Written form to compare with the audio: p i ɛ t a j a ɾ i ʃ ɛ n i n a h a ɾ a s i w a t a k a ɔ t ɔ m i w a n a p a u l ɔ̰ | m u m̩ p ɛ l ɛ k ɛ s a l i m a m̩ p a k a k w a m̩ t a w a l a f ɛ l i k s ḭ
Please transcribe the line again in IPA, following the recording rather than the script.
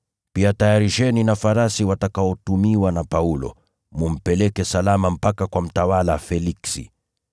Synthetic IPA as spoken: p i a t a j a ɾ i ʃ ɛ n i n a f a ɾ a s i w a t a k a ɔ t u m i w a n a p a u l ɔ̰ | m u m̩ p ɛ l ɛ k ɛ s a l a m a m̩ p a k a k w a m̩ t a w a l a f ɛ l i k s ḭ